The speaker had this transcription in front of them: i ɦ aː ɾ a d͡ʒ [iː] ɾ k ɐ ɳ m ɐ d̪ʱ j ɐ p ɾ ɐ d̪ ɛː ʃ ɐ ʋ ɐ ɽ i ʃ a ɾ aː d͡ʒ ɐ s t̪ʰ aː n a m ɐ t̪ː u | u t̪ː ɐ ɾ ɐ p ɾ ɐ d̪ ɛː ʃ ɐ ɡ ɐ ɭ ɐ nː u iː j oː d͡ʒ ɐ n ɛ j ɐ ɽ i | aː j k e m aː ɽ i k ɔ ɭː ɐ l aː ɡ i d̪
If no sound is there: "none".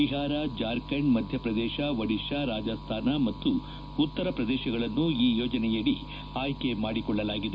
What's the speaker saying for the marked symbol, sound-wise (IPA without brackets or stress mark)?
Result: aː